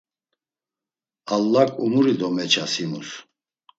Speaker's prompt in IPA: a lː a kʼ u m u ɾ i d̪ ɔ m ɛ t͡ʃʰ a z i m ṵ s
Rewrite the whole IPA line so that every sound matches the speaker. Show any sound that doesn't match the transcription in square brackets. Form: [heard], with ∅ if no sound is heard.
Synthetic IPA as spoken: a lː a kʼ u m u ɾ i d̪ ɔ m ɛ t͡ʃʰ a [s] i m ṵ s